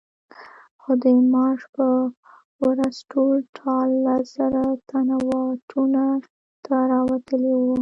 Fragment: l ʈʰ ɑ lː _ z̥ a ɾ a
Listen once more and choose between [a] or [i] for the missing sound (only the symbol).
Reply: a